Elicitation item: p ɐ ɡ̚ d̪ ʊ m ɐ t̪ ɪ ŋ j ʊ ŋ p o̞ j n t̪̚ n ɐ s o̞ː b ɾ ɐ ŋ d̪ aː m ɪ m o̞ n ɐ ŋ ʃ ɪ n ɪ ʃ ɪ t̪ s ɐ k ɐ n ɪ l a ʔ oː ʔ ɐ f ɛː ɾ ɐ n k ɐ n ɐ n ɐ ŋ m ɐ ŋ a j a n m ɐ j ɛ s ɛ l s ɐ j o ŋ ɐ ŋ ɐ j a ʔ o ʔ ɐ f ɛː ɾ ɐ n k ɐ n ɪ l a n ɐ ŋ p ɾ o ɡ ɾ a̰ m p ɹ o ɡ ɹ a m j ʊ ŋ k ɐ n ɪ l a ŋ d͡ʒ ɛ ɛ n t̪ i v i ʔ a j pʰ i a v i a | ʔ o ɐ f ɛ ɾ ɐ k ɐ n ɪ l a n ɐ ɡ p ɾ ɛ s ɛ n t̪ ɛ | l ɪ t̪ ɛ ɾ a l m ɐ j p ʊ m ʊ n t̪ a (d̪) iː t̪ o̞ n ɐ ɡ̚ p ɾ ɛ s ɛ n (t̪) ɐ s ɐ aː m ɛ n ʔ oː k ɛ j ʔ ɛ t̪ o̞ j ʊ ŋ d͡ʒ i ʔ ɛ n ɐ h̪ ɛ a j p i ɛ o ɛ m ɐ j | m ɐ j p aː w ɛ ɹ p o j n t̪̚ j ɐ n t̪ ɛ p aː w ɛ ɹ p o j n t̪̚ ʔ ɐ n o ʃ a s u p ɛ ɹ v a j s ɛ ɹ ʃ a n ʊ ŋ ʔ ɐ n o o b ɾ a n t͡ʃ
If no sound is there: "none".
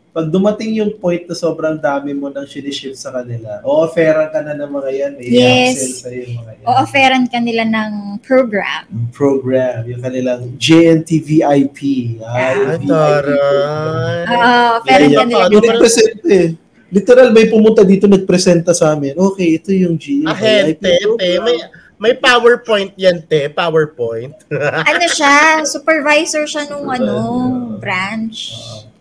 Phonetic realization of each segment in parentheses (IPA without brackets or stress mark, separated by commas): d̪, t̪